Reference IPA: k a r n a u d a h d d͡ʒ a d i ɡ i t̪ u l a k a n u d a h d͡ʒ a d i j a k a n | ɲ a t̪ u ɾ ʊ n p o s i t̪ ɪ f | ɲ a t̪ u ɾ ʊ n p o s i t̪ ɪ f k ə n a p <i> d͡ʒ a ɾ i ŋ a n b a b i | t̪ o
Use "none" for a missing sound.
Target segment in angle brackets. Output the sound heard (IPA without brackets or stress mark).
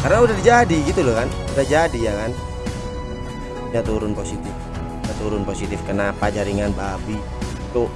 a